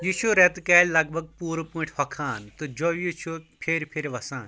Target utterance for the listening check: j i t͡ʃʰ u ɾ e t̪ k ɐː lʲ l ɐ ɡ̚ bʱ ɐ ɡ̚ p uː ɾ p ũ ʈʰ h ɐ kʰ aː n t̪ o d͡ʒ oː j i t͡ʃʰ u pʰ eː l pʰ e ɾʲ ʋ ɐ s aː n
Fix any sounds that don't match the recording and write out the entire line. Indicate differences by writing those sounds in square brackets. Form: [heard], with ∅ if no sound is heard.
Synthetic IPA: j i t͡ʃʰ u ɾ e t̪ k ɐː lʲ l ɐ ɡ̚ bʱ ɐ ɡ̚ p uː ɾ p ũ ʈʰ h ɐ kʰ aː n t̪ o d͡ʒ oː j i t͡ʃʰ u pʰ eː [ɾ] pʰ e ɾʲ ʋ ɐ s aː n